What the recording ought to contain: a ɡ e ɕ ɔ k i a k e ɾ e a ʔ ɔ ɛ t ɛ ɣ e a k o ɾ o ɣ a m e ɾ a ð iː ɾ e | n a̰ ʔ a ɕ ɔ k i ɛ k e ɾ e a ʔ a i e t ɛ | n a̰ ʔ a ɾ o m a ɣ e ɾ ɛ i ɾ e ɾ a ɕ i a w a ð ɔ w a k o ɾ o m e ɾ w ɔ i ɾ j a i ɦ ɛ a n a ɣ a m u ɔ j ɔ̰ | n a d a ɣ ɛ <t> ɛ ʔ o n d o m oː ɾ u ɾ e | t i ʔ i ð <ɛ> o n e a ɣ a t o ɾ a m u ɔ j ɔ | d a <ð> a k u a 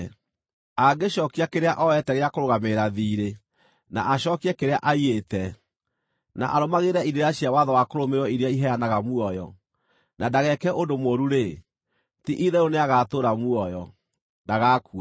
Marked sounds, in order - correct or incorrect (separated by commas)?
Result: incorrect, correct, incorrect